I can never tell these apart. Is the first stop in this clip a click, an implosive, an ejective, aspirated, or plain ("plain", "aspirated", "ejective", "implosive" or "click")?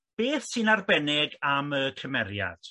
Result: plain